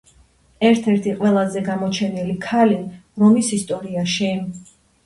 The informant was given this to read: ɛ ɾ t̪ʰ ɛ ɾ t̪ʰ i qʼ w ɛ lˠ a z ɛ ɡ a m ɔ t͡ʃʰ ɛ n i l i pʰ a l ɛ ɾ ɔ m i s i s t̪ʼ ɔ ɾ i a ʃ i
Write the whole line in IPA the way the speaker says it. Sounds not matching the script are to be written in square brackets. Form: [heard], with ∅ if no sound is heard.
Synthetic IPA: ɛ ɾ t̪ʰ ɛ ɾ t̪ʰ i qʼ w ɛ lˠ a z ɛ ɡ a m ɔ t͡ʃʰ ɛ n i l i [kʰ] a l [i] ɾ ɔ m i s i s t̪ʼ ɔ ɾ i a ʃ i